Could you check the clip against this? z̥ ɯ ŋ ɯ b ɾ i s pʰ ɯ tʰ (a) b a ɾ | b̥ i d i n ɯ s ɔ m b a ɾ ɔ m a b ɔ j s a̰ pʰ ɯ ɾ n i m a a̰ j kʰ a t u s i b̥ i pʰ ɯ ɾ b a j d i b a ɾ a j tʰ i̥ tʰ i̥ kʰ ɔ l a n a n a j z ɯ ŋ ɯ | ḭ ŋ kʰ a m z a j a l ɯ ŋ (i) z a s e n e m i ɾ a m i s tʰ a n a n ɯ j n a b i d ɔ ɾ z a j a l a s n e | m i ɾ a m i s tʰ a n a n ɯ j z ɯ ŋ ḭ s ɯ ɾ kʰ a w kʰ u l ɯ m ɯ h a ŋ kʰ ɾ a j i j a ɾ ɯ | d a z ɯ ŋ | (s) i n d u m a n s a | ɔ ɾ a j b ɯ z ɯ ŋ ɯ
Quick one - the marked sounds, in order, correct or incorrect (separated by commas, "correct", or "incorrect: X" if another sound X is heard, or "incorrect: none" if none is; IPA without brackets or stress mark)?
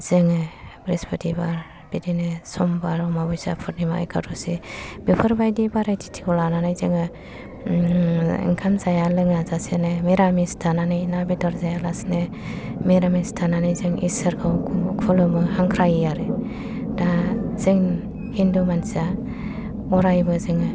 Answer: incorrect: i, incorrect: a, incorrect: h